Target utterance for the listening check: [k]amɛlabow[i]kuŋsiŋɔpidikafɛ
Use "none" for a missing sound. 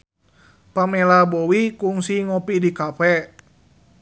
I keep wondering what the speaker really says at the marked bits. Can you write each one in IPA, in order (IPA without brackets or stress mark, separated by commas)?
p, i